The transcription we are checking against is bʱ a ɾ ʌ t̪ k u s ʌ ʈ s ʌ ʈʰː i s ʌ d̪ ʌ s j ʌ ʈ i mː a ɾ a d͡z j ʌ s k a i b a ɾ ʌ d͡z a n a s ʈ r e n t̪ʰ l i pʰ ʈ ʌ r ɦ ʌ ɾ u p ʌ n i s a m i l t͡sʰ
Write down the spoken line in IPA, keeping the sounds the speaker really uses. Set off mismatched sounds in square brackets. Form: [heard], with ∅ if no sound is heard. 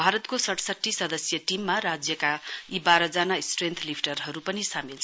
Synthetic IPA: bʱ a ɾ ʌ t̪ k [o] s ʌ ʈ s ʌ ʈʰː i s ʌ d̪ ʌ s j ʌ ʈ i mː a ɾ a d͡z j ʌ [∅] k a i b a ɾ ʌ d͡z a n a s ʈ r e n t̪ʰ l i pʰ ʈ ʌ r ɦ ʌ ɾ u p ʌ n i s a m i l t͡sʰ

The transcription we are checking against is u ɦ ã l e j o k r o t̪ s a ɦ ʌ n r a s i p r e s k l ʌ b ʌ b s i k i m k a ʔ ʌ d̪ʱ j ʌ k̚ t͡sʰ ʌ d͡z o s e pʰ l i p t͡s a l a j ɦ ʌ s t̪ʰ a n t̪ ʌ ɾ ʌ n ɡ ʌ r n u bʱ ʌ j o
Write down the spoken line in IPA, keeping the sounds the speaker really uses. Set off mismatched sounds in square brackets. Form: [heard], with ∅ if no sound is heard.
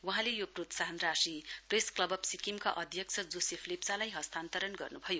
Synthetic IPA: [w] ɦ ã l e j o [p] r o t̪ s a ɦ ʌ n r a s i p r e s k l ʌ b ʌ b s i k i m k a ʔ ʌ d̪ʱ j ʌ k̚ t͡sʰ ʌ d͡z o s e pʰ l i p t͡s a l a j ɦ ʌ s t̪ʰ a n t̪ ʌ ɾ ʌ n ɡ ʌ r n u bʱ ʌ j o

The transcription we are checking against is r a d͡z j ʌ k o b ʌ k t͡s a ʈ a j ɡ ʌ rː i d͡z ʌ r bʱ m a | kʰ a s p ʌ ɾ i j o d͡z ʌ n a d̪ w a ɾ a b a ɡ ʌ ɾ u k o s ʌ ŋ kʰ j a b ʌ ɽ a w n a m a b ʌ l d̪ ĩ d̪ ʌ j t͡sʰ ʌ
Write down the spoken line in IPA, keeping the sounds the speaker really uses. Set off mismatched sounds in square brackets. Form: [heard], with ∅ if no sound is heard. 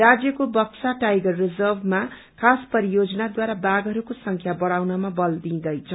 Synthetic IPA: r a d͡z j ʌ k o b ʌ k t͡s a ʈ a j ɡ ʌ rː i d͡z ʌ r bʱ m a | kʰ a s p ʌ ɾ i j o d͡z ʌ n a d̪ w a ɾ a b a ɡ ʌ ɾ u k o s ʌ ŋ kʰ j a b ʌ ɽ a w n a m a b ʌ l d̪ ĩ d̪ ʌ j t͡sʰ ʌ

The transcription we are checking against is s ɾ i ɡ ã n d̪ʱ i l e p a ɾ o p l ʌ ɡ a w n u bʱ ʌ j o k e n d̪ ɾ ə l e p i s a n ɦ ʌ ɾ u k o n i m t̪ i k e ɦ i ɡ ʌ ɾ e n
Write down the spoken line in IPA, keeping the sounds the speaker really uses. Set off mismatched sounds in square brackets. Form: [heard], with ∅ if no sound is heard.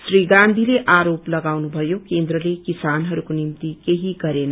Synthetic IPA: s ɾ i ɡ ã n d̪ʱ i l e [ʔ] a ɾ o p l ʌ ɡ a w n u bʱ ʌ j o k e n d̪ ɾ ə l e [k] i s a n ɦ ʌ ɾ u k o n i m t̪ i k e ɦ i ɡ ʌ ɾ e n

